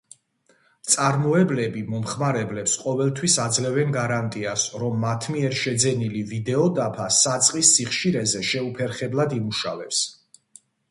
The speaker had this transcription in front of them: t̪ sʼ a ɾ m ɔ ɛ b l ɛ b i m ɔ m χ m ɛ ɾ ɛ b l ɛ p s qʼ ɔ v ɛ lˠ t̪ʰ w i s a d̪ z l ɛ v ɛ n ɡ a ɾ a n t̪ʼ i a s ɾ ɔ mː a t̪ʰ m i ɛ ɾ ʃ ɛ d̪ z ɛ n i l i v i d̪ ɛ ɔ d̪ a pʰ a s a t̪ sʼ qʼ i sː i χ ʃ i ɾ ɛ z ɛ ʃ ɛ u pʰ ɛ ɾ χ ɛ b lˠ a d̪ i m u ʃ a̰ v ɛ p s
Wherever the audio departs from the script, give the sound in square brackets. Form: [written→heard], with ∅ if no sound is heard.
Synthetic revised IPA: t̪ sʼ a ɾ m ɔ ɛ b l ɛ b i m ɔ m χ m [ɛ→a] ɾ ɛ b l ɛ p s qʼ ɔ v ɛ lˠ t̪ʰ w i s a d̪ z l ɛ v ɛ n ɡ a ɾ a n t̪ʼ i a s ɾ ɔ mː a t̪ʰ m i ɛ ɾ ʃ ɛ d̪ z ɛ n i l i v i d̪ ɛ ɔ d̪ a pʰ a s a t̪ sʼ qʼ i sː i χ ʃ i ɾ ɛ z ɛ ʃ ɛ u pʰ ɛ ɾ χ ɛ b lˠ a d̪ i m u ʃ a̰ v ɛ p s